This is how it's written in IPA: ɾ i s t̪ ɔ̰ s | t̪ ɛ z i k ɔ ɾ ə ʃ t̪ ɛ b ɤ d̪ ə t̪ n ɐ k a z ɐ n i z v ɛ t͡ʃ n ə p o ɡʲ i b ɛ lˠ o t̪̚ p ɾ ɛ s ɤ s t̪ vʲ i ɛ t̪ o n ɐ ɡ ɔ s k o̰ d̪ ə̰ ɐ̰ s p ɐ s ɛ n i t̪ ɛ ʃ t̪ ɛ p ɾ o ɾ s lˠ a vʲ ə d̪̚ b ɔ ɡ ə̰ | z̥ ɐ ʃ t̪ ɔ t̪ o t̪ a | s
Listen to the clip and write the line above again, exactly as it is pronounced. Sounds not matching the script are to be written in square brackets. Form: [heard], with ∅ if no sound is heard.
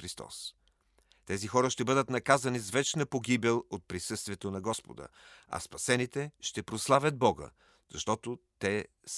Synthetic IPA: ɾ i s t̪ ɔ̰ s | t̪ ɛ z i [x] ɔ ɾ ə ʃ t̪ ɛ b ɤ d̪ ə t̪ n ɐ k a z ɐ n i z v ɛ t͡ʃ n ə p o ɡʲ i b ɛ lˠ o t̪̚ p ɾ [i] s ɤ s t̪ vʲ i ɛ t̪ o n ɐ ɡ ɔ s [p] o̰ d̪ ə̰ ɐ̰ s p ɐ s ɛ n i t̪ ɛ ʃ t̪ ɛ p ɾ o [∅] s lˠ a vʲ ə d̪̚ b ɔ ɡ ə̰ | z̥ ɐ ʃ t̪ ɔ t̪ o t̪ [ɛ] | s